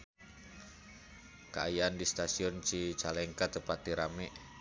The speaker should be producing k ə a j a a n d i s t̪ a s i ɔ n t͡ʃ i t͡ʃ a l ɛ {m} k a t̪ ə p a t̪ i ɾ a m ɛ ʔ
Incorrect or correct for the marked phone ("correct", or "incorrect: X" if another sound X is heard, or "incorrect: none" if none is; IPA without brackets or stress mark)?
incorrect: ŋ